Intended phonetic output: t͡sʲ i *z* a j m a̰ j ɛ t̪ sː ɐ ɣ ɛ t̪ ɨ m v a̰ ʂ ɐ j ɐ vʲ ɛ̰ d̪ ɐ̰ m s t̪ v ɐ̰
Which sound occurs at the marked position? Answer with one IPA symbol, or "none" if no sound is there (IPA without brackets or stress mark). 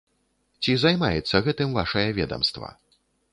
z